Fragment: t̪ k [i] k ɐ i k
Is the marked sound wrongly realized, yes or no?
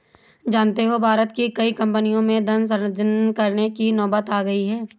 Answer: no